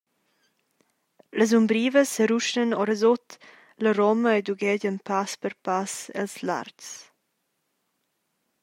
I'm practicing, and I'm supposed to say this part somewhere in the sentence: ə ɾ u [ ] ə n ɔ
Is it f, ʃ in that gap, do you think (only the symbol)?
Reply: ʃ